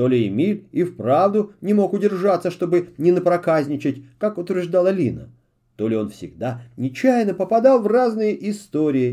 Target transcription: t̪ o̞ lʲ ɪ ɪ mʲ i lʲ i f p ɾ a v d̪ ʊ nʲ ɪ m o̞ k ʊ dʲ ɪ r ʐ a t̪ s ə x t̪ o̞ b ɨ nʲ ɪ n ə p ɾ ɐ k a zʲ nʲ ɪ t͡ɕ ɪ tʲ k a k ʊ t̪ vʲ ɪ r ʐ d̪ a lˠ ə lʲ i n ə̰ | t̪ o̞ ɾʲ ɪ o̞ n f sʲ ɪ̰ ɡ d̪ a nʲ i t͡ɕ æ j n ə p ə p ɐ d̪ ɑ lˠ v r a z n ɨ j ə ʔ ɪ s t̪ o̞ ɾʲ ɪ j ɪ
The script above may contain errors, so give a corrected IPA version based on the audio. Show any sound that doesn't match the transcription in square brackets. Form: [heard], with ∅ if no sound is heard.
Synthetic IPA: t̪ o̞ lʲ ɪ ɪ mʲ i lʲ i f p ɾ a v d̪ ʊ nʲ ɪ m o̞ k ʊ dʲ ɪ r ʐ a t̪ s ə [ʂ] t̪ o̞ b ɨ nʲ ɪ n ə p ɾ ɐ k a zʲ nʲ ɪ t͡ɕ ɪ tʲ k a k ʊ t̪ vʲ ɪ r ʐ d̪ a lˠ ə lʲ i n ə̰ | t̪ o̞ [lʲ] ɪ o̞ n f sʲ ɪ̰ ɡ d̪ a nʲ [ɪ] t͡ɕ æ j n ə p ə p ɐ d̪ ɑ lˠ v r a z n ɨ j ə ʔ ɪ s t̪ o̞ ɾʲ ɪ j ɪ